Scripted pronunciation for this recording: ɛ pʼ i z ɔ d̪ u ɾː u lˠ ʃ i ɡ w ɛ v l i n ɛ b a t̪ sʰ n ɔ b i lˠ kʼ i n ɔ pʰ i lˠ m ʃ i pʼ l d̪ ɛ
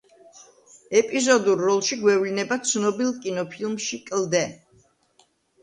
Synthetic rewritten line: ɛ pʼ i z ɔ d̪ u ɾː ɔ lˠ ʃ i ɡ w ɛ v l i n ɛ b a t̪ sʰ n ɔ b i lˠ kʼ i n ɔ pʰ i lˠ m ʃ i kʼ l d̪ ɛ